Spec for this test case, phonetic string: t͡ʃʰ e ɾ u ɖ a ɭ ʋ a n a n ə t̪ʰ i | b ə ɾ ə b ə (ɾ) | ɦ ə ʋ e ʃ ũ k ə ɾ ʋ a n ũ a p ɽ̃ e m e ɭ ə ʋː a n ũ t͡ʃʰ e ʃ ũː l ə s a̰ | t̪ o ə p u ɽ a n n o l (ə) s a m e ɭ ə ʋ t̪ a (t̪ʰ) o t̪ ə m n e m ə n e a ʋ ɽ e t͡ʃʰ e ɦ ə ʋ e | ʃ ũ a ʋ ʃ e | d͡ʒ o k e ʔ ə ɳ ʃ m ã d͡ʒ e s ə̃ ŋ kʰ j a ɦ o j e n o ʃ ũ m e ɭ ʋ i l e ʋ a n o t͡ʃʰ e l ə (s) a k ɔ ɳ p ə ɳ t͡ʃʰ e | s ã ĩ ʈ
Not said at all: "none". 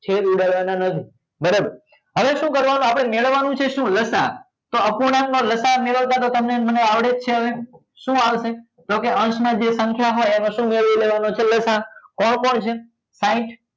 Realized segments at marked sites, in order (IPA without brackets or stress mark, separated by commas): ɾ, ə, t̪, s